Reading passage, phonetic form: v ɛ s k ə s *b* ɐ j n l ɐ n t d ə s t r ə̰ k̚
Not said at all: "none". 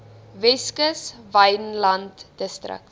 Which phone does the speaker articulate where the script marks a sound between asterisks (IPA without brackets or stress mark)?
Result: v